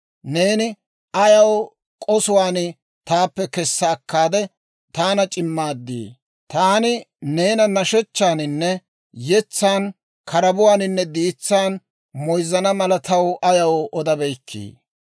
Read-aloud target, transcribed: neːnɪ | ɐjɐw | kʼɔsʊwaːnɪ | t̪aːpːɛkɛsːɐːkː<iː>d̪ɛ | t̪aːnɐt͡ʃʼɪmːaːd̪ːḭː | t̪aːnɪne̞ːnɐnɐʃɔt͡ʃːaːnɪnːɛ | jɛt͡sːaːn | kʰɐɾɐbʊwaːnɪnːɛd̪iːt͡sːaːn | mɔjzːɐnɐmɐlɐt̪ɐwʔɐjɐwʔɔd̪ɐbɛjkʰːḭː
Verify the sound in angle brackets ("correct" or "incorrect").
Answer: incorrect